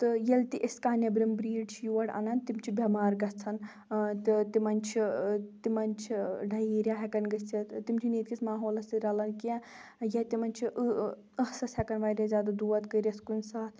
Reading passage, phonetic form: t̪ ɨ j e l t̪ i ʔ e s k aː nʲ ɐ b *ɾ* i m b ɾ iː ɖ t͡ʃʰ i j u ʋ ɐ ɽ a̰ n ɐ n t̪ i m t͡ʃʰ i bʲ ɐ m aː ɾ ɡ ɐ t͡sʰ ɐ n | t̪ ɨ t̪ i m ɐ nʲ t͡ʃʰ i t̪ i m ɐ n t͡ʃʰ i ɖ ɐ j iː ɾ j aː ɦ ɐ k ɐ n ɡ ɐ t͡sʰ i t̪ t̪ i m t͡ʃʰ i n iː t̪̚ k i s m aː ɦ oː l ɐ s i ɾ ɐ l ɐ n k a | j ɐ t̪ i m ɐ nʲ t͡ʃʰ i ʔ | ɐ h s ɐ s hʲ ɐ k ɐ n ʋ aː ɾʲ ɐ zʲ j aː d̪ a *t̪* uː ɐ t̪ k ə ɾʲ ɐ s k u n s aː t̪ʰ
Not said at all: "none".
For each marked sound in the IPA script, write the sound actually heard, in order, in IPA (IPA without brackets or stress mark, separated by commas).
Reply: ɾ, d̪